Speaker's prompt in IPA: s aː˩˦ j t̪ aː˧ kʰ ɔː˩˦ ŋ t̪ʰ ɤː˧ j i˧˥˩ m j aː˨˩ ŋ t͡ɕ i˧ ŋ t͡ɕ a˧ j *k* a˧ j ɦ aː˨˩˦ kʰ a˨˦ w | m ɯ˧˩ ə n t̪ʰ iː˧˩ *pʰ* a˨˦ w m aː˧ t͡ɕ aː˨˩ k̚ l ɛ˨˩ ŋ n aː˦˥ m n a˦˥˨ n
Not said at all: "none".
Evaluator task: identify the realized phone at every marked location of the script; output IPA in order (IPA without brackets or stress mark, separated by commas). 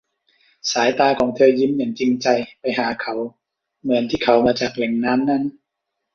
p, kʰ